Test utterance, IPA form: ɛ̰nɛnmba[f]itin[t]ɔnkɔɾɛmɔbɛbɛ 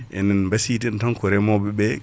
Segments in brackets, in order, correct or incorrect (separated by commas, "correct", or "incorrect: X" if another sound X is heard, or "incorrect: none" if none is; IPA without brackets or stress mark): incorrect: s, correct